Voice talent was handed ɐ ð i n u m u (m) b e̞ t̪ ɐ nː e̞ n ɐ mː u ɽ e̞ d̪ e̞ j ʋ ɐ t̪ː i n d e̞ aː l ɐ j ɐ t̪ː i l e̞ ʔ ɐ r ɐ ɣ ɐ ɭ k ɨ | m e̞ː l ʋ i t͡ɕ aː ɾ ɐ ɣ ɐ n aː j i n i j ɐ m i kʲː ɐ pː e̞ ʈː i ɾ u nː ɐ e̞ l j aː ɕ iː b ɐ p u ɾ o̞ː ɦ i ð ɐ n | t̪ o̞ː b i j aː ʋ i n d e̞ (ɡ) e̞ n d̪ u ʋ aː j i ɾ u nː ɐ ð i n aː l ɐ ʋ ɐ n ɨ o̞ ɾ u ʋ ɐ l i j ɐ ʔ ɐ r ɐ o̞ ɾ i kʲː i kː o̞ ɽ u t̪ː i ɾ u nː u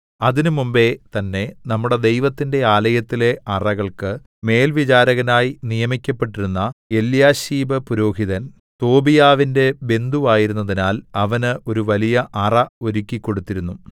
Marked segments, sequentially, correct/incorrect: correct, incorrect: b

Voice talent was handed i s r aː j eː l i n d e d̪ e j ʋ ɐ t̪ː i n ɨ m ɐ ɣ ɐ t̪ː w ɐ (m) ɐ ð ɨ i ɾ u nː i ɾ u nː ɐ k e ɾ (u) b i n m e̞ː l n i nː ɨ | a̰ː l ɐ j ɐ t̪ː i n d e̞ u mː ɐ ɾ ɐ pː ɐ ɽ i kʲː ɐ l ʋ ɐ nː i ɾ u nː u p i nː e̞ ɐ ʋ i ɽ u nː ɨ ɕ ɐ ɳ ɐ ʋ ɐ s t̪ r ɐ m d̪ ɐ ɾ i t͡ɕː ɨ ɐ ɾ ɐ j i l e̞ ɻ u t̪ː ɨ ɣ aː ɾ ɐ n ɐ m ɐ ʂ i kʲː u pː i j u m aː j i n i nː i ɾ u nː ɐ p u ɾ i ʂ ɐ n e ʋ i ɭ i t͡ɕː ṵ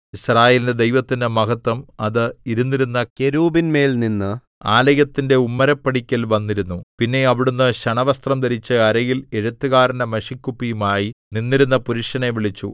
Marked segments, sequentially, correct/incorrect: correct, incorrect: uː

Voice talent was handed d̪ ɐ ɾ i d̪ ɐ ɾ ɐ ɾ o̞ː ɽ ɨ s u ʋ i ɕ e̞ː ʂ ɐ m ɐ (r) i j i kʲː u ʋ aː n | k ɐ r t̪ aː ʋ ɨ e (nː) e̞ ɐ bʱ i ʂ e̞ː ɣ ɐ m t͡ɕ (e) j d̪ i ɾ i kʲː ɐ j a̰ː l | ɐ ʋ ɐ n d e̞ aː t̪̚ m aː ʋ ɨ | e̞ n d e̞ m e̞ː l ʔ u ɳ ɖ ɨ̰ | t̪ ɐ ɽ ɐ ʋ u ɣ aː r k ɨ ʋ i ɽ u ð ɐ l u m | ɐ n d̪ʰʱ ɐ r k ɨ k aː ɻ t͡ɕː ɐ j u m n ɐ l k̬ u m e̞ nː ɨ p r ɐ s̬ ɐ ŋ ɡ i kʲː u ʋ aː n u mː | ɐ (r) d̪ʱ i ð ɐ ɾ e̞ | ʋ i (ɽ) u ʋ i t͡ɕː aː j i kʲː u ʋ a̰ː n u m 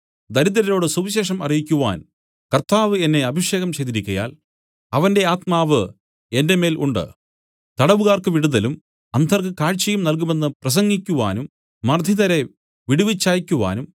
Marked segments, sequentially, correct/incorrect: correct, correct, correct, correct, correct

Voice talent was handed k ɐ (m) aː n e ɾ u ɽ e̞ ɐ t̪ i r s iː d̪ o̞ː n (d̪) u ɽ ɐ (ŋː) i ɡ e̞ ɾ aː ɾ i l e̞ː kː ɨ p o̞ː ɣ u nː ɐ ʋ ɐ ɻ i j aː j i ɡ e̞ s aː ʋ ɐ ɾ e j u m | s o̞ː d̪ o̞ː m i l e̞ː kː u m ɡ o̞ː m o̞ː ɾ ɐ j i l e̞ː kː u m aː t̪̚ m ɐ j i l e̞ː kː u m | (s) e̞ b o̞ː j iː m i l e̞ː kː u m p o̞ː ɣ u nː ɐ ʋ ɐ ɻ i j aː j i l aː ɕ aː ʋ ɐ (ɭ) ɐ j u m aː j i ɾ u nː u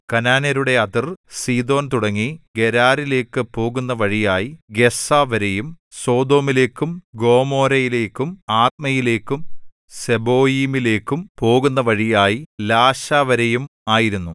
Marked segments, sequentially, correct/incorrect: incorrect: n, incorrect: t̪, correct, correct, incorrect: ɾ

